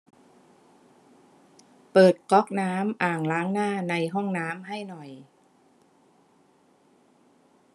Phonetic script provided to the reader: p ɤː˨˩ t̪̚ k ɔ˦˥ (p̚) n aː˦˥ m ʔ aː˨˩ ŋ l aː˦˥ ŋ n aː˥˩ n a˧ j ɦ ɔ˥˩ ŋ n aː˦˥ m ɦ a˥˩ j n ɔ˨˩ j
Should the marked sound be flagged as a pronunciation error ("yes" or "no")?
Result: yes